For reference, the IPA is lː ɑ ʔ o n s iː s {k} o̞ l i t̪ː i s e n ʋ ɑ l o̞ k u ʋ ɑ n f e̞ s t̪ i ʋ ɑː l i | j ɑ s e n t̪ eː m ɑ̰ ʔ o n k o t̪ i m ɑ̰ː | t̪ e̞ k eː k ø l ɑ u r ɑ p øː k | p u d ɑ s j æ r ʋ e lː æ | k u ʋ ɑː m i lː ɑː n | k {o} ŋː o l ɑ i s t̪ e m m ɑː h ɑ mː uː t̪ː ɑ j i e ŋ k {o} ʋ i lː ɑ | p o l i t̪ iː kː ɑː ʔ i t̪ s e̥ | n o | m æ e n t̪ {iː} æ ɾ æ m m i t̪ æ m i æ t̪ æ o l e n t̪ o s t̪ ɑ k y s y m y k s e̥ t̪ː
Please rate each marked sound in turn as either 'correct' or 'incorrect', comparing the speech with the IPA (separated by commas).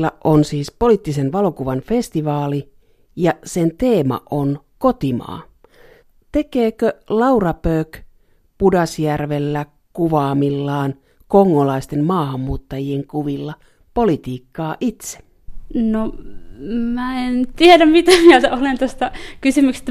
incorrect, correct, incorrect, incorrect